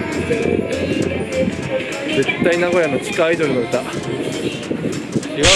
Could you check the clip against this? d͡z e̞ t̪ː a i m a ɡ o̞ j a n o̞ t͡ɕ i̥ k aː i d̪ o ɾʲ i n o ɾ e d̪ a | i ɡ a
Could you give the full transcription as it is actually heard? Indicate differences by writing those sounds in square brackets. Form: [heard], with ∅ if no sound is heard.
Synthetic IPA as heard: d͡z e̞ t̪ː a i [n] a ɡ o̞ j a n o̞ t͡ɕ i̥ k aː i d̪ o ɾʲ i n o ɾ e [t̪] a | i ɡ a